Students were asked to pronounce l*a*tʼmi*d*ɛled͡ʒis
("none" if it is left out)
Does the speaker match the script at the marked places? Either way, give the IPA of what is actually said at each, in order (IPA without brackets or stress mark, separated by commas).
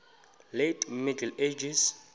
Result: e, d